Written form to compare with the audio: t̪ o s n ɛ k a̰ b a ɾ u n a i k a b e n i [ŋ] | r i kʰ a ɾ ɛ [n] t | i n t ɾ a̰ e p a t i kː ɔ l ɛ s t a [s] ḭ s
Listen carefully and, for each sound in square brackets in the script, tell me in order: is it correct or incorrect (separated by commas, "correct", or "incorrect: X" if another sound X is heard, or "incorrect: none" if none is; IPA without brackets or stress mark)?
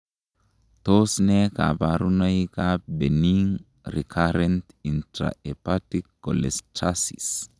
correct, correct, correct